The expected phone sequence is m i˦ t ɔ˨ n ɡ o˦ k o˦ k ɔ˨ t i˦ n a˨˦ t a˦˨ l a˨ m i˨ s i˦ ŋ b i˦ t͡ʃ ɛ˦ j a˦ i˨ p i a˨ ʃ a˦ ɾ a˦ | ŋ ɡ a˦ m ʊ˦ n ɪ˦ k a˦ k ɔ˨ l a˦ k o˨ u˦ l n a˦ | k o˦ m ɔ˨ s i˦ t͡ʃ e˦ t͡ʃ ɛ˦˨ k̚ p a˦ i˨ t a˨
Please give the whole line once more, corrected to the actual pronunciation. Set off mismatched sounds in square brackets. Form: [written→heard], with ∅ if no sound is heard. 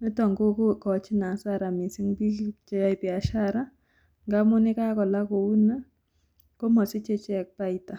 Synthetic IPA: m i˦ t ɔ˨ [n→ŋ] ɡ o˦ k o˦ k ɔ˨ [t→t͡ʃ] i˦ n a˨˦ [t→s] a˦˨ [l→ɾ] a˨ m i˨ s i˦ ŋ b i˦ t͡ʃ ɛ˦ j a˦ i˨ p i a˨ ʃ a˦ ɾ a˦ | ŋ ɡ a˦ m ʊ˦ n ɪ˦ k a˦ k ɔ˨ l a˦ k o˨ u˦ [l→∅] n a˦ | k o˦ m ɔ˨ s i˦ t͡ʃ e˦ t͡ʃ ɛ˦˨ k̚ p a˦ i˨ t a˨